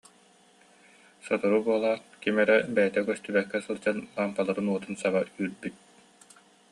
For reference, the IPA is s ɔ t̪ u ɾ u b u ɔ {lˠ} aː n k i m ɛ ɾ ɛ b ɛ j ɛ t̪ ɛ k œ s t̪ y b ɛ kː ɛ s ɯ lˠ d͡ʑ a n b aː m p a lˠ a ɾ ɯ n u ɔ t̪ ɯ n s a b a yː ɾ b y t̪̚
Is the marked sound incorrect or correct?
correct